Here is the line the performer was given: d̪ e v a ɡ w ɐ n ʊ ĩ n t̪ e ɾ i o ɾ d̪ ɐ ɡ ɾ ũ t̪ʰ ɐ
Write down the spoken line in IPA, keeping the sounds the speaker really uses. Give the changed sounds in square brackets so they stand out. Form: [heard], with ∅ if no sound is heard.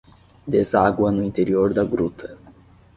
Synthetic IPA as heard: d̪ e [z] a ɡ w ɐ n ʊ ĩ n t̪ e ɾ i o ɾ d̪ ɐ ɡ ɾ [u] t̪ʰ ɐ